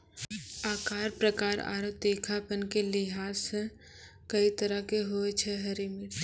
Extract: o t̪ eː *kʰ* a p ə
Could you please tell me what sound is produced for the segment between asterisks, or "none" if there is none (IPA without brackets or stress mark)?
kʰ